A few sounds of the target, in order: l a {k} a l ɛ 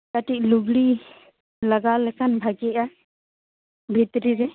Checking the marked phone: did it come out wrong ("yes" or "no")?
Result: yes